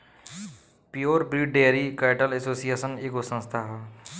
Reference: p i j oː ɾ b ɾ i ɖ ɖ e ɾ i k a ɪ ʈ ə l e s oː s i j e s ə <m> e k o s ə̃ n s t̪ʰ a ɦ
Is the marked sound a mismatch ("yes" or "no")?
yes